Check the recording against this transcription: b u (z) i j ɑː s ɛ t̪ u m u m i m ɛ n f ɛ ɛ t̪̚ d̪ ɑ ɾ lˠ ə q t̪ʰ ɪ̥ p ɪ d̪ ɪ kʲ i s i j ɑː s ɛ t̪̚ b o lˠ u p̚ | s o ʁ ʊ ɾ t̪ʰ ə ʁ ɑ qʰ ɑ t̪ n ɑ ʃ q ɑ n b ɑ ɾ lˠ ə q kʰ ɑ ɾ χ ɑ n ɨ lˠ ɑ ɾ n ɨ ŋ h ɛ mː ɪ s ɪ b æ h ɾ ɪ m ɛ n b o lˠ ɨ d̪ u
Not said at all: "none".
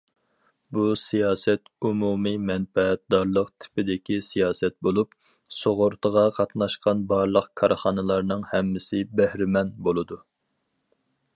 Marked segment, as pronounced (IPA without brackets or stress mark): s